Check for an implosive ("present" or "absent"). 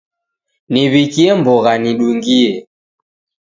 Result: present